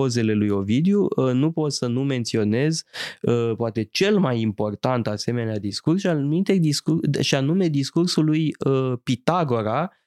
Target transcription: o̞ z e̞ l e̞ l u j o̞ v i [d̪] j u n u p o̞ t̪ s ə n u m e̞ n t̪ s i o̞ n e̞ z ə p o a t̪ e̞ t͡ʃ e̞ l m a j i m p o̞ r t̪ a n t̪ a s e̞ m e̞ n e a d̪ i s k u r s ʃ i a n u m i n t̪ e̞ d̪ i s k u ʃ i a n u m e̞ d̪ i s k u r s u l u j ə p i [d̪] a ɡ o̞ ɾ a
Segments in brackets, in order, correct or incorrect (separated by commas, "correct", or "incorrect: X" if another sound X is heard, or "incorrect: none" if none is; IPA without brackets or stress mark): correct, incorrect: t̪